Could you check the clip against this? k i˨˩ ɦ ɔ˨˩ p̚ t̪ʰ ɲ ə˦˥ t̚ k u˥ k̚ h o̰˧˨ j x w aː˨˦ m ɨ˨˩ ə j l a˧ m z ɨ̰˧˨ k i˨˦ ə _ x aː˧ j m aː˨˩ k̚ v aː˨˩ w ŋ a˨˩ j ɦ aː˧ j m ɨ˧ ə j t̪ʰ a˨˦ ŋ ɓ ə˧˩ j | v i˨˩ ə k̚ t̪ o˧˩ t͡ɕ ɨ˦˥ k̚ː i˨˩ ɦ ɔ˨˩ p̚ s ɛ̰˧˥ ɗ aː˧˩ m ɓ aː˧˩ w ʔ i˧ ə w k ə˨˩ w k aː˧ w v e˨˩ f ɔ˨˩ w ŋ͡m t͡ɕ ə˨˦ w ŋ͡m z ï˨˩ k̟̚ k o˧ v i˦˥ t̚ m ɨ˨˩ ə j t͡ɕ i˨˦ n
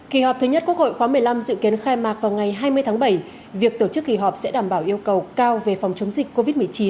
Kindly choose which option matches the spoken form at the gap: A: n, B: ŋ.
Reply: A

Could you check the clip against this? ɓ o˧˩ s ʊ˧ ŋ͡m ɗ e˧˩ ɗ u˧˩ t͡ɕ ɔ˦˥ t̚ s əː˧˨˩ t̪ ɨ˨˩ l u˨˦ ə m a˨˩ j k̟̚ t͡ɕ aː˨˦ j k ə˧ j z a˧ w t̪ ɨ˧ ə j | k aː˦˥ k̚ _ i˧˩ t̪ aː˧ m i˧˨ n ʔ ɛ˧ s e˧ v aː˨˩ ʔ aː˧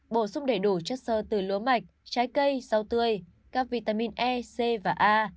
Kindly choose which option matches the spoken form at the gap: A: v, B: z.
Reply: A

